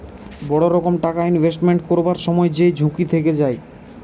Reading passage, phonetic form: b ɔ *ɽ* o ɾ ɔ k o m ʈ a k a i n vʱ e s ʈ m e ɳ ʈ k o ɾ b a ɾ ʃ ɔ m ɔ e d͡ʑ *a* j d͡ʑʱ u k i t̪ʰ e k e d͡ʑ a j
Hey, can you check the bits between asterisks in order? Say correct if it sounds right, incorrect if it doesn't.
correct, incorrect: e

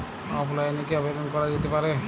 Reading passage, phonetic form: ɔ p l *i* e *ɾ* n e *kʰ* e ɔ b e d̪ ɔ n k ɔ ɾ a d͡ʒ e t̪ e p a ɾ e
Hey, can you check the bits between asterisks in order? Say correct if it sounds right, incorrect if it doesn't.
incorrect: a, incorrect: none, incorrect: k

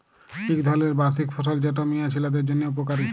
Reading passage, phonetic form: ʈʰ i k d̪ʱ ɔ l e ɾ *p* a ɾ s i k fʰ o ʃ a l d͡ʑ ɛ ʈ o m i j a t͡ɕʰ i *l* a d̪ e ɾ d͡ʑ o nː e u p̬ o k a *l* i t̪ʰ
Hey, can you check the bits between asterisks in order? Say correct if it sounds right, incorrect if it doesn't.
incorrect: b, correct, incorrect: ɾ

